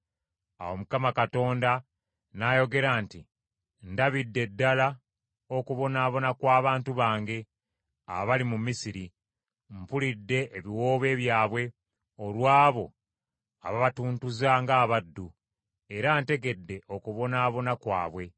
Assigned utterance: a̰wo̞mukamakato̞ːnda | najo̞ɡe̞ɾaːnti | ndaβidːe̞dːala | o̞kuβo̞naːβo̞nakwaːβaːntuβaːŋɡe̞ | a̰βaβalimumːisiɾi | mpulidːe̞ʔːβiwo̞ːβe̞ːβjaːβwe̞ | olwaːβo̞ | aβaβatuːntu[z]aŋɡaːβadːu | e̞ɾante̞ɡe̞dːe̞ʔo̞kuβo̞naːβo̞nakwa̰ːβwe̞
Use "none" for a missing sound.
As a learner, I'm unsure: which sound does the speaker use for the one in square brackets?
z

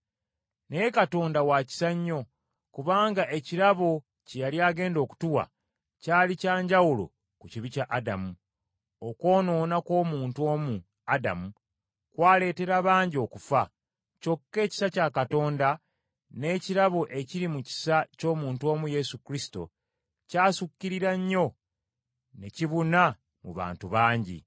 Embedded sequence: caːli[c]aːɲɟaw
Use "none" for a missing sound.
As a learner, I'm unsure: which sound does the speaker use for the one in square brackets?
c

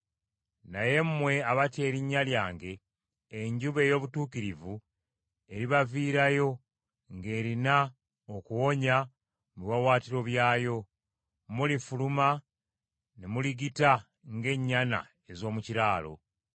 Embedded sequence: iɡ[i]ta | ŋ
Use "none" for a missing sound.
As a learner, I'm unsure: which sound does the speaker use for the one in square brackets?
i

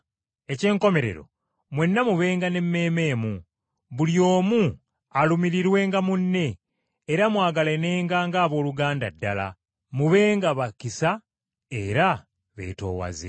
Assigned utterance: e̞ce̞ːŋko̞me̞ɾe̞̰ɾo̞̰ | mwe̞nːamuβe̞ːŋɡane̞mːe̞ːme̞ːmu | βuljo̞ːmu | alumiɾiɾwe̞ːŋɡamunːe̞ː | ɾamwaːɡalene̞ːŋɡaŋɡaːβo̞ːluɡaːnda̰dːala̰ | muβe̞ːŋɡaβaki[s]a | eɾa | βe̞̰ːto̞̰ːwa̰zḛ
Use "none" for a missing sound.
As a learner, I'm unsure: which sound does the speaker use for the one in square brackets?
s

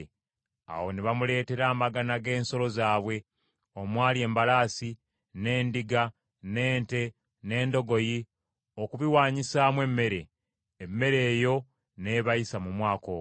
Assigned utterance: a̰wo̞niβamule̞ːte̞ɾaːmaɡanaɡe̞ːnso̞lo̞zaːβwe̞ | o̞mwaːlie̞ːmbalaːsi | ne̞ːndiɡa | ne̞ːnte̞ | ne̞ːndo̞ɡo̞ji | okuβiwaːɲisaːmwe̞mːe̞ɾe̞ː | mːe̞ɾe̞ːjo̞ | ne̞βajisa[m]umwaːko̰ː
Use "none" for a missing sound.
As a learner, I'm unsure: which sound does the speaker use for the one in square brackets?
m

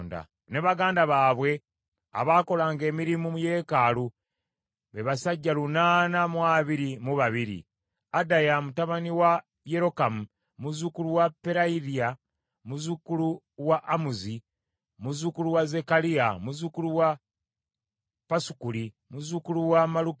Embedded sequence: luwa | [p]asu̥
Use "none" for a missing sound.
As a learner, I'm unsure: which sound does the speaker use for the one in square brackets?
p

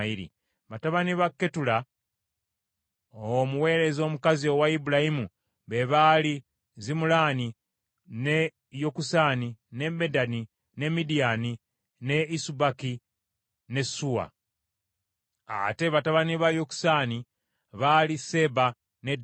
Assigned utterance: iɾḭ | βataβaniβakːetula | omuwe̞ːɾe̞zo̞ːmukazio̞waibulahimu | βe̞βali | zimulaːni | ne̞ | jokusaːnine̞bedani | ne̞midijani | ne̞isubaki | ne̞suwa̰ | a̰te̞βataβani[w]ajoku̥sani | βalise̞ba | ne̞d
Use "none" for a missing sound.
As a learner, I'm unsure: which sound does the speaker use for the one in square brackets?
β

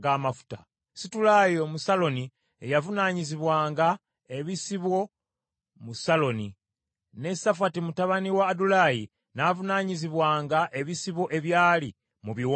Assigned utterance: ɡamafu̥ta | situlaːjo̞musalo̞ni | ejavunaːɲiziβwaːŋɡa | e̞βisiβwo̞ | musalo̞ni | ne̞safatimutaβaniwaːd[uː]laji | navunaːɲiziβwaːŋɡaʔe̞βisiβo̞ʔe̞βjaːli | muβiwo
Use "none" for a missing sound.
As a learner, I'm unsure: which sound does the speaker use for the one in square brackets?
u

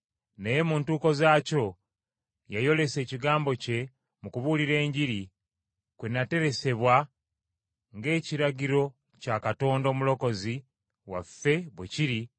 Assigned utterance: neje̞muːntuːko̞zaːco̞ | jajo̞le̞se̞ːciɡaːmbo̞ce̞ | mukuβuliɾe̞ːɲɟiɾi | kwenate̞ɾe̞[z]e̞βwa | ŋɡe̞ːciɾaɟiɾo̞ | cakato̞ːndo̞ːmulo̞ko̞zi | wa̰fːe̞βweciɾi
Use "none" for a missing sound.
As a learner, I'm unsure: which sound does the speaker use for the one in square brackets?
s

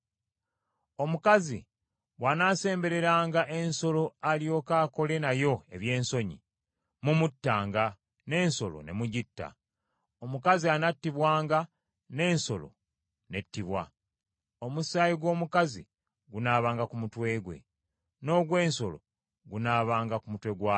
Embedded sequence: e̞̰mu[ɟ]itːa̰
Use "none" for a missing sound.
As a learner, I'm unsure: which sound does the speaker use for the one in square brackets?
ɟ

